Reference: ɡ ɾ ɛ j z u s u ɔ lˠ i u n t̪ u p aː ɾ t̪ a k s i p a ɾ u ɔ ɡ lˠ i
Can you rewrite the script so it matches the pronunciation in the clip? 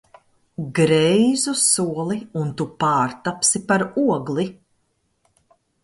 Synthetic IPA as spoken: ɡ ɾ ɛ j z u s u ɔ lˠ i u n t̪ u p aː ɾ t̪ a p s i p a ɾ u ɔ ɡ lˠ i